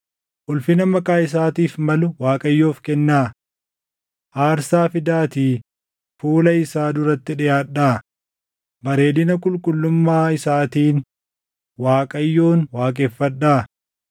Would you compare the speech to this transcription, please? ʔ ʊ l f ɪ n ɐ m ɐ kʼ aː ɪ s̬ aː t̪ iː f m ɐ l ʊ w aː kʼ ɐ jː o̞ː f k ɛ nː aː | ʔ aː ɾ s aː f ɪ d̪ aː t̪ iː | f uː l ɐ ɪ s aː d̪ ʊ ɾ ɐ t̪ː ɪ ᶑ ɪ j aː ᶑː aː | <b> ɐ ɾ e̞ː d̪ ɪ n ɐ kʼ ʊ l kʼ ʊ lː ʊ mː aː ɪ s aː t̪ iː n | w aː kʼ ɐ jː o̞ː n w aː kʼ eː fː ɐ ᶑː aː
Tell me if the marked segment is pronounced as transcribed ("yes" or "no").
yes